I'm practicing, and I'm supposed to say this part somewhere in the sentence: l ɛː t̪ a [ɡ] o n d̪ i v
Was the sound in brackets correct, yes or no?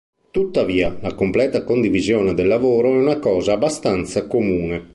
no